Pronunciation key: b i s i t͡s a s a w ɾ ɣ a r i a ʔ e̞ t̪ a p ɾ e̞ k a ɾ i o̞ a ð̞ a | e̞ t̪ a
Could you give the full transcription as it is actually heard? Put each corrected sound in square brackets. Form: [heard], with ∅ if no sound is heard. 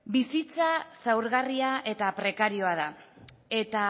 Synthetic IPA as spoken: b i s i t͡s a s a w ɾ ɣ a r i a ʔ e̞ t̪ a p ɾ e̞ k a ɾ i o̞ a ð̞ a | e̞ t̪ a